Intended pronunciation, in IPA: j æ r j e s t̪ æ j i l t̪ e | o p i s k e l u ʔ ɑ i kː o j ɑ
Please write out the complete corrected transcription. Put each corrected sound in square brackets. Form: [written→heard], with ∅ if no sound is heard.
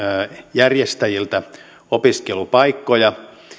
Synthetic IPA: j æ r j e s t̪ æ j i l t̪ [e→æ] | o p i s k e l u [ʔ→p] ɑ i kː o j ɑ